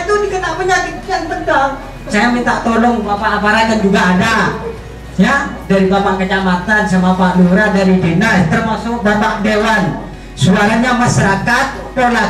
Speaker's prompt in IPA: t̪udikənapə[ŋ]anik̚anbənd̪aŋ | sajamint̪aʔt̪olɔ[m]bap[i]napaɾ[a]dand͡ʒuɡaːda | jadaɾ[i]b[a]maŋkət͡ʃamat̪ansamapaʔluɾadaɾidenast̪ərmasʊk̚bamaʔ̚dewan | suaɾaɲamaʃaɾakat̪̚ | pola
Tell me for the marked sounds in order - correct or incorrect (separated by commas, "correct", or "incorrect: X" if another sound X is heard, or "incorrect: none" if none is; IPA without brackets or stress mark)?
incorrect: ɲ, incorrect: ŋ, incorrect: a, correct, correct, correct